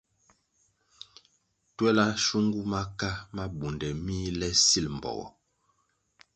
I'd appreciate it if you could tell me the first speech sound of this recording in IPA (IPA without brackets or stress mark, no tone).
t